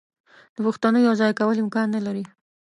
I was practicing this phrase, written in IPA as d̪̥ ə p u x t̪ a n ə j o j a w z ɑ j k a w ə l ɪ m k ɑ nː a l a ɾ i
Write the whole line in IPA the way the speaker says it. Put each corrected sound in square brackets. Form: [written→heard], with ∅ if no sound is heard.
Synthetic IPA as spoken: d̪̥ ə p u x t̪ a n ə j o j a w z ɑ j k a w ə l ɪ m k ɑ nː a l a ɾ i